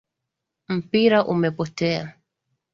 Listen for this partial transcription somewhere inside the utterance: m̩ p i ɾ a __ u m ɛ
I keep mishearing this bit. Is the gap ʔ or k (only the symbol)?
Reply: ʔ